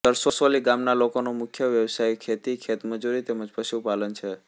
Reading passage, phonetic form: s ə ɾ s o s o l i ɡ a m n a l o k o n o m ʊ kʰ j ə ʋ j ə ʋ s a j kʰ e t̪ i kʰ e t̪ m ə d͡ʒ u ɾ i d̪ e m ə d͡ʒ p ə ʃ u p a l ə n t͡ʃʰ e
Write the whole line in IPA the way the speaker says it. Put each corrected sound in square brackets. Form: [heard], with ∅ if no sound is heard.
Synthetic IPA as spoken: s ə ɾ s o s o l i ɡ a m n a l o k o n o m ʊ kʰ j ə ʋ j ə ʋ s a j kʰ e t̪ i kʰ e t̪ m ə d͡ʒ u ɾ i [t̪] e m ə d͡ʒ p ə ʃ u p a l ə n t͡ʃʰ e